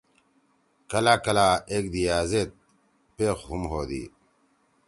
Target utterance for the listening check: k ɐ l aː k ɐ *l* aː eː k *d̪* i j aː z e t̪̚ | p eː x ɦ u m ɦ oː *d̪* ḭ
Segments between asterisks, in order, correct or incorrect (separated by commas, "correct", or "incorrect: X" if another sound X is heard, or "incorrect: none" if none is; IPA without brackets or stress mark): correct, correct, correct